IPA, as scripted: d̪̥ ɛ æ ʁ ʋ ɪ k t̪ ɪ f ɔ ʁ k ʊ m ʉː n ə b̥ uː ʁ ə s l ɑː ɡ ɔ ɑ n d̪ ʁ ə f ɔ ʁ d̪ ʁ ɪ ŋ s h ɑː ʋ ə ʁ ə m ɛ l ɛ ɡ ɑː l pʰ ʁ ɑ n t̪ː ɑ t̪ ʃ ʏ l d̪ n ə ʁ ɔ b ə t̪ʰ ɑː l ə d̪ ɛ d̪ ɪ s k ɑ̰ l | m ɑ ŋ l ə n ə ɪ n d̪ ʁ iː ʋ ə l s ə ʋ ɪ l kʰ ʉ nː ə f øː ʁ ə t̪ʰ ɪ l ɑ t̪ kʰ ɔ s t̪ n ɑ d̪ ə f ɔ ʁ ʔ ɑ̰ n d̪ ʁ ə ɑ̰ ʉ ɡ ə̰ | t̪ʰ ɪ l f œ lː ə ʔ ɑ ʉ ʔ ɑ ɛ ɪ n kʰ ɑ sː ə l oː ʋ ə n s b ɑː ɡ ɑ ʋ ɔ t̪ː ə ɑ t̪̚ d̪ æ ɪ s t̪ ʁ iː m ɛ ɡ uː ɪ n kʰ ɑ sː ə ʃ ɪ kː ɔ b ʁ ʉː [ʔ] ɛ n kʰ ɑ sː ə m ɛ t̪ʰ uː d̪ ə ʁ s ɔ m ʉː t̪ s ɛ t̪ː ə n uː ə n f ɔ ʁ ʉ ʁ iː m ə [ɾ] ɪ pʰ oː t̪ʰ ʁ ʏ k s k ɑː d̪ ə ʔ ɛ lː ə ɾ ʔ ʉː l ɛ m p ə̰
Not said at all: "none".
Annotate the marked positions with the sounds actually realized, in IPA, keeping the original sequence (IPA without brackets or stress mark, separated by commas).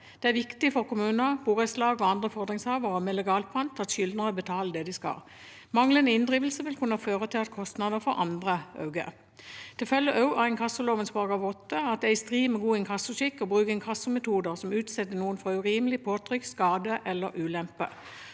k, l